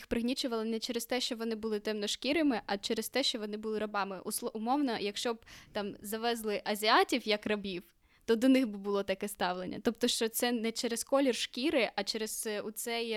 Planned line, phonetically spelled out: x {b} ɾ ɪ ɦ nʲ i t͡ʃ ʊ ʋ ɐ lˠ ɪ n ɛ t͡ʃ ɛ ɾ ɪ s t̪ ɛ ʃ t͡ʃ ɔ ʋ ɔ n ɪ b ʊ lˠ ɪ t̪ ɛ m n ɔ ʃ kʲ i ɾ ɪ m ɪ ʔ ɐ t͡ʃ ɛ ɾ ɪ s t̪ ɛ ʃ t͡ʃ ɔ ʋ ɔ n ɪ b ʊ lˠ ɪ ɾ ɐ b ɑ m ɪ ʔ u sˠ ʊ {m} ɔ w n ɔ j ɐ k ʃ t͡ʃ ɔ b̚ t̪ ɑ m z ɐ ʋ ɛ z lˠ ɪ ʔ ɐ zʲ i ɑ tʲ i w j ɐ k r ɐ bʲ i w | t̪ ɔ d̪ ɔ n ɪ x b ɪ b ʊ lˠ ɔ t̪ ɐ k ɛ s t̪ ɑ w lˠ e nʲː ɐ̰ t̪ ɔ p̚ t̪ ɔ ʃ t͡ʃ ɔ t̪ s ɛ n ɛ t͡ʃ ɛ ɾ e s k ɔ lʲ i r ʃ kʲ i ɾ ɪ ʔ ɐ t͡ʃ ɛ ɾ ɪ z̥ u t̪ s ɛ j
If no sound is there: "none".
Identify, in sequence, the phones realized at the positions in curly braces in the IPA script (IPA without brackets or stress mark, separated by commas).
p, m